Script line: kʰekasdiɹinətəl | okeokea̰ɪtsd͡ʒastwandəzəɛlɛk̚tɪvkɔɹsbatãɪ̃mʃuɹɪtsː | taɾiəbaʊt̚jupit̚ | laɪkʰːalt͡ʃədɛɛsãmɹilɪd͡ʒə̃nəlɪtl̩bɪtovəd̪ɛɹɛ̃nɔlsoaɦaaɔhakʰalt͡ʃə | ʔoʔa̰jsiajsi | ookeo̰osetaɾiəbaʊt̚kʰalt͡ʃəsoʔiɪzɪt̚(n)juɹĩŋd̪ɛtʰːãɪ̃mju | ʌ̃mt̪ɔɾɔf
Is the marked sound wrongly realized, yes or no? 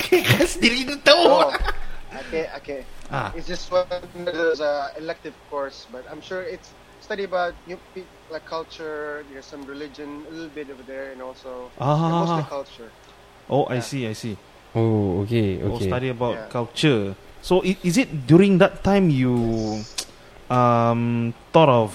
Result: yes